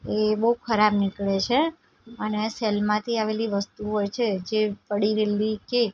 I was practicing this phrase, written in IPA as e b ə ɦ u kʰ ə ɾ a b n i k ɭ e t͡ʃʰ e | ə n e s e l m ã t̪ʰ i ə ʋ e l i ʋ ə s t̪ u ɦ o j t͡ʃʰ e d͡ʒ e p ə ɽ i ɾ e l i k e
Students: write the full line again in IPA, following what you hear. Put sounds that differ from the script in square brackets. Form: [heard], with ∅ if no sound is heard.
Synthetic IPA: e b ə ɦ u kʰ ə ɾ a b n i k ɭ e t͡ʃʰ e | ə n e s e l m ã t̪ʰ i [a] ʋ e l i ʋ ə s t̪ u ɦ o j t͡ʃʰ e d͡ʒ e p ə ɽ i ɾ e l i k e